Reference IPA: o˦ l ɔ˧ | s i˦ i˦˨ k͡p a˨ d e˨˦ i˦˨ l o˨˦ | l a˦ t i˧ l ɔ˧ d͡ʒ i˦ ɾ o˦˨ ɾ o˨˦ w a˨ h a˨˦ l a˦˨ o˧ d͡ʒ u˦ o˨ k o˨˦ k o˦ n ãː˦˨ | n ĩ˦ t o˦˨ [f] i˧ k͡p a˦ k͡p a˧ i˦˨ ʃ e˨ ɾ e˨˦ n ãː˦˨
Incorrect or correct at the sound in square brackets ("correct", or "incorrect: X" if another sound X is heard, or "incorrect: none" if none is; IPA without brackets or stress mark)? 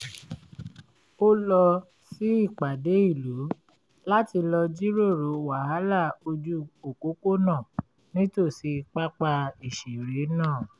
incorrect: s